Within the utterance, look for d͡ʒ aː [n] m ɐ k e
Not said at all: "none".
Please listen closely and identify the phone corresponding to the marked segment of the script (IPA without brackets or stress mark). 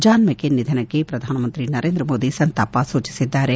n